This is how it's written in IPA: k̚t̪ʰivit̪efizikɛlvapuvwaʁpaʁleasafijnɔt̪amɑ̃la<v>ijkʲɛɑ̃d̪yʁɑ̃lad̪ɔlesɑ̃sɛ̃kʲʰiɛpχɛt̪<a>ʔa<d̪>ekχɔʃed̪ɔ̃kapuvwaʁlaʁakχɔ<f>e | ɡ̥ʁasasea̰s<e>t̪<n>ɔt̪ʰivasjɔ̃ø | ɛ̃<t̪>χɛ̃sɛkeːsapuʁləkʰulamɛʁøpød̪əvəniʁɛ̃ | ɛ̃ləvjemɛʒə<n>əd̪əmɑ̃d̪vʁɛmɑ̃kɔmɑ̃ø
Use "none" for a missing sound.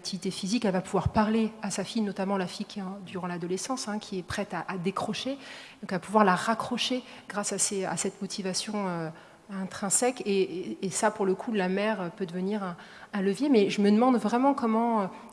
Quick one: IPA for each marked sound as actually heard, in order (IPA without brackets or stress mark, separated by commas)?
f, a, d̪, ʃ, ɛ, m, t̪, m